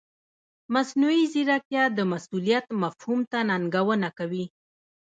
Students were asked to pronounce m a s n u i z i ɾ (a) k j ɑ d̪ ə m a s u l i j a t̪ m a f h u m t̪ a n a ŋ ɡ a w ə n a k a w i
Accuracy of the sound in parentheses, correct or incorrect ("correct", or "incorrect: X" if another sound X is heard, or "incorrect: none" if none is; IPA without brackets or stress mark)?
correct